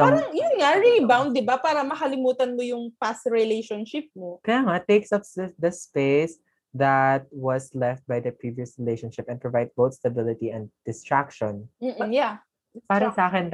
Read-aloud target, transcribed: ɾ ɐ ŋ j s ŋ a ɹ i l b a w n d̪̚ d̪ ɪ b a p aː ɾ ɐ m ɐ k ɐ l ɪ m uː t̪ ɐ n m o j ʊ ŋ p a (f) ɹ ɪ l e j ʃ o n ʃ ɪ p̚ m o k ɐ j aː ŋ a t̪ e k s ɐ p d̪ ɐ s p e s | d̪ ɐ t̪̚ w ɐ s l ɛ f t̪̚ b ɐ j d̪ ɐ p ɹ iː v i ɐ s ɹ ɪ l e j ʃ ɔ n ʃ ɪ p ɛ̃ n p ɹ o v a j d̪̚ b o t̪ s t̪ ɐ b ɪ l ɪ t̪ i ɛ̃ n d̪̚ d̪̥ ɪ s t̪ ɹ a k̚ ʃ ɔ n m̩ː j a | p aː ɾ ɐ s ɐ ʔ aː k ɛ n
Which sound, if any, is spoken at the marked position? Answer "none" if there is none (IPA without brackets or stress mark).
s